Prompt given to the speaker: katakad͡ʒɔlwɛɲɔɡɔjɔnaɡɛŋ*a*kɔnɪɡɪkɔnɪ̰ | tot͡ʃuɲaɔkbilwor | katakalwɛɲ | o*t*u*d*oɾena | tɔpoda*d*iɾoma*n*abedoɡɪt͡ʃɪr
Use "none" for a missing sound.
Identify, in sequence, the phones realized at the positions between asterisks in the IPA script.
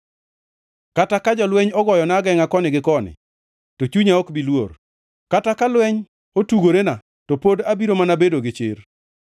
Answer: a, t, ɡ, b, n

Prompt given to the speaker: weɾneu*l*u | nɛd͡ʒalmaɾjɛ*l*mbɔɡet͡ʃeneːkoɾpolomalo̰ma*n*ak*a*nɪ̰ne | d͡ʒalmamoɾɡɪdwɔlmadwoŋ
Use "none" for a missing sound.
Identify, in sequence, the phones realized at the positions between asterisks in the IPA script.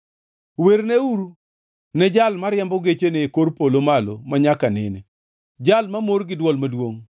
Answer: ɾ, none, ɲ, a

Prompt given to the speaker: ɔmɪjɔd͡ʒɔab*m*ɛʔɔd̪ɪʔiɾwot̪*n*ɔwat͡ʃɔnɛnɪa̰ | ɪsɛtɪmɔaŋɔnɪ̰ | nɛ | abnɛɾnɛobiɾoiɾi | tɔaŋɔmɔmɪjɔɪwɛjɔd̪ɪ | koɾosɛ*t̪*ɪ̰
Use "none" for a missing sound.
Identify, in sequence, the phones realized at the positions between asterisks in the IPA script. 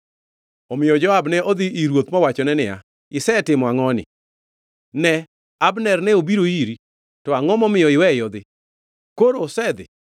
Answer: n, m, d̪

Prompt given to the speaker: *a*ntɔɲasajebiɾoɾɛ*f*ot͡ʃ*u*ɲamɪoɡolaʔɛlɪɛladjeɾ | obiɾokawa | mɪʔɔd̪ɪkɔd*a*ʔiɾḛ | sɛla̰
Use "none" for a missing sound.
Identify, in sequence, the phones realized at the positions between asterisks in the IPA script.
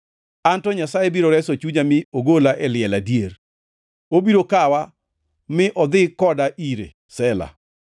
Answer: a, s, u, a

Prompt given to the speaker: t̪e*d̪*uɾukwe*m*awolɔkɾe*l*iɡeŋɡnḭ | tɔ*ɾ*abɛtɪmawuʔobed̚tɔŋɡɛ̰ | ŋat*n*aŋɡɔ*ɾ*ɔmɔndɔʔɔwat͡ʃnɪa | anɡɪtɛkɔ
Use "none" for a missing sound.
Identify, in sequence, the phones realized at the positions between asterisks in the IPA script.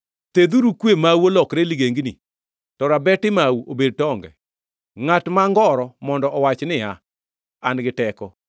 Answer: d̪, m, l, ɾ, m, ɾ

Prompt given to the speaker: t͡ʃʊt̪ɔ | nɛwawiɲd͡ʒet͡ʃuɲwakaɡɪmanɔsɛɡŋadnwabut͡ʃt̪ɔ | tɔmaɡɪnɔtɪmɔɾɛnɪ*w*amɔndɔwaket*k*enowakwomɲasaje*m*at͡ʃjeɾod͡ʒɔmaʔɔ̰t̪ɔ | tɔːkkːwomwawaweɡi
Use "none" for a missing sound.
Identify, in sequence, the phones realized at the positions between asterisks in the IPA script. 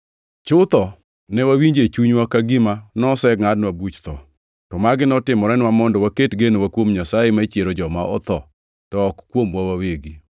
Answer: w, ɡ, m

